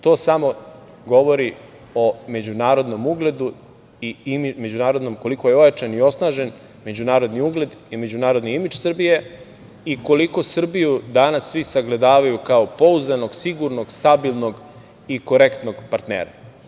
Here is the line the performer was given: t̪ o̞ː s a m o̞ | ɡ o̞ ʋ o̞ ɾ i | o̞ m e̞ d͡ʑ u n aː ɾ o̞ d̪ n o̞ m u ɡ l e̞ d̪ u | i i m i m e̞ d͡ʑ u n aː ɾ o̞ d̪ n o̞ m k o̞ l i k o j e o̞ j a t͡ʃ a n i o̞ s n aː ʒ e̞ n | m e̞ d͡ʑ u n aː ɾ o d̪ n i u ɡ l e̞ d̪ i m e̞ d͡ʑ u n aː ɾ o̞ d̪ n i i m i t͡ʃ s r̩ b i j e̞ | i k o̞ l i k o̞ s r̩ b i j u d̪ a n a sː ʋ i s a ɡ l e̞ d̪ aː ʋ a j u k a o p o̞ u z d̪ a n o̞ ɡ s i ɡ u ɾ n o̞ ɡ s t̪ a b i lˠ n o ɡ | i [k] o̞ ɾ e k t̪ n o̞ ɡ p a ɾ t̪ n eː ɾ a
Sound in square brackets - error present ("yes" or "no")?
no